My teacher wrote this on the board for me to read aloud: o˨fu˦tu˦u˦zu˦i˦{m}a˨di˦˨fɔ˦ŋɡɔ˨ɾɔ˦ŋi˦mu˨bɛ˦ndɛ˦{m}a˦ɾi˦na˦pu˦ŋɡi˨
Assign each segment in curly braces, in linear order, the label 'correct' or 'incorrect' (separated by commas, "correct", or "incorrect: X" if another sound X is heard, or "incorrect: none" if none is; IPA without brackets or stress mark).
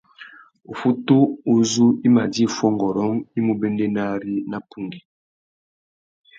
correct, incorrect: n